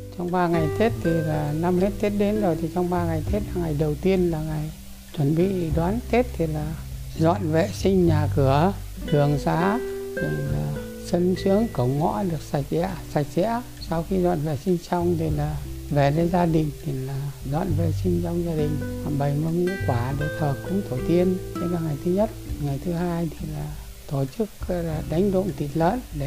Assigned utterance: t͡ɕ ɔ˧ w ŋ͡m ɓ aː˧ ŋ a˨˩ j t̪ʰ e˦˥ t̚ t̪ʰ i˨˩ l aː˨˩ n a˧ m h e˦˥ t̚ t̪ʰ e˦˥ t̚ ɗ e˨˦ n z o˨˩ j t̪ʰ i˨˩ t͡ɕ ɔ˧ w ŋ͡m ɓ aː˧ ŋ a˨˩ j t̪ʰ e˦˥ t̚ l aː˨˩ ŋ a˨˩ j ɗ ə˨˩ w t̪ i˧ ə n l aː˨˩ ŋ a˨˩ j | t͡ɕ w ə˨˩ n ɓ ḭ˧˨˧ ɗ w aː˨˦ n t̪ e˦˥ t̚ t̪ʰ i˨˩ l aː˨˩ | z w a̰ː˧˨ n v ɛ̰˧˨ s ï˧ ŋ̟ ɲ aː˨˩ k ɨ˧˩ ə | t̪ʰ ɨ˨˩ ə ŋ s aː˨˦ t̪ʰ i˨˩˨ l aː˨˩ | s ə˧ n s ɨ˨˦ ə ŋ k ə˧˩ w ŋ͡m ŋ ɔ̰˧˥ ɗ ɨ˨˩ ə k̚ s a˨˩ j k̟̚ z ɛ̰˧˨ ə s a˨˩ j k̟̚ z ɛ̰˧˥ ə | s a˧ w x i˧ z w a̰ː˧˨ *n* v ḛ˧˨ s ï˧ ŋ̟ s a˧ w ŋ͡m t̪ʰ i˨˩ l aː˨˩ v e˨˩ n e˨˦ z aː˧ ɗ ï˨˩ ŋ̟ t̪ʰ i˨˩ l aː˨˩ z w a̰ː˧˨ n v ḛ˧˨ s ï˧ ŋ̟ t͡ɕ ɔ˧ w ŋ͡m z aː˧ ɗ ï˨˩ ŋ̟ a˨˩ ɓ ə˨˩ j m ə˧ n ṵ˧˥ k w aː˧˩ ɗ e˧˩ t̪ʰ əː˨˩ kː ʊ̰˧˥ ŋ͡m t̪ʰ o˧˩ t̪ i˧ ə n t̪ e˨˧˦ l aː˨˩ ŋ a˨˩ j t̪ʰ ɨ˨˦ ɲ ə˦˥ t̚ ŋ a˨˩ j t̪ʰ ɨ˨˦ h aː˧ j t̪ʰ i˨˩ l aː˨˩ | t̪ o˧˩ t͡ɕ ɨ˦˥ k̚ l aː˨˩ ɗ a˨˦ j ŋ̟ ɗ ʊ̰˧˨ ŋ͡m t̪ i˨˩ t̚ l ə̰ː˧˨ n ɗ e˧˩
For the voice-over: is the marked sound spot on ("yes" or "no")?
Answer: yes